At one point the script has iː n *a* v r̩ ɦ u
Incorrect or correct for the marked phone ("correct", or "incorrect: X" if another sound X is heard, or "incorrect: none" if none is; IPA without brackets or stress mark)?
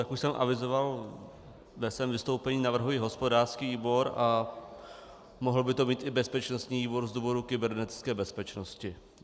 correct